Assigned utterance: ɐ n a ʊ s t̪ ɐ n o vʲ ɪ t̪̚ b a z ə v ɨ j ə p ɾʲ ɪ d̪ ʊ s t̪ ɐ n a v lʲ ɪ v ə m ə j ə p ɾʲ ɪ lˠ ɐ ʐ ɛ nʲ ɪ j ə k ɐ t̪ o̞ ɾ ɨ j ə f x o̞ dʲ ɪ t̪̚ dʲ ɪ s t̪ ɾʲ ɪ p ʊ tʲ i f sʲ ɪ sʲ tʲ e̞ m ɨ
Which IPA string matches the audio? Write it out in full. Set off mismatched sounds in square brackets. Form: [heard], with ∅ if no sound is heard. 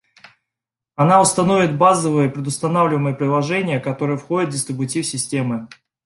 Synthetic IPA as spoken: ɐ n a ʊ s t̪ ɐ n o vʲ ɪ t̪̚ b a z ə v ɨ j ə p ɾʲ ɪ d̪ ʊ s t̪ ɐ n a v lʲ ɪ v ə m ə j ə p ɾʲ ɪ lˠ ɐ ʐ ɛ nʲ ɪ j ə k ɐ t̪ o̞ ɾ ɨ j ə f x o̞ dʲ ɪ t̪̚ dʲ ɪ s t̪ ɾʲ ɪ [b] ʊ tʲ i f sʲ ɪ sʲ tʲ e̞ m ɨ